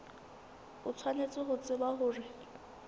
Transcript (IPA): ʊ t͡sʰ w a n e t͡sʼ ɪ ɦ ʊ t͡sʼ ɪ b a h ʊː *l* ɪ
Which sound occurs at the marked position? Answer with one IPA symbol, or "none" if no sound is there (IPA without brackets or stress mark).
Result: r